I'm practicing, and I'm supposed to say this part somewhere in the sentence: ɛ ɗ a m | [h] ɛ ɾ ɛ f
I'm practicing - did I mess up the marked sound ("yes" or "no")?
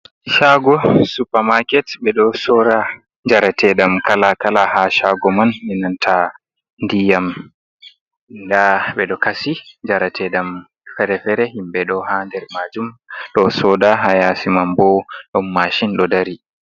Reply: yes